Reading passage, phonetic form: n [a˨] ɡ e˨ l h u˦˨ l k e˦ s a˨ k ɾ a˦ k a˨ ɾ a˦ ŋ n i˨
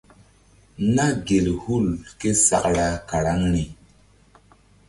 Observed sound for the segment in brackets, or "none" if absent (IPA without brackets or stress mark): a˦